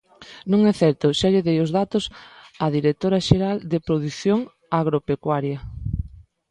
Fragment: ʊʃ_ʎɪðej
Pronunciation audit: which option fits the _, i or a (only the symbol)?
a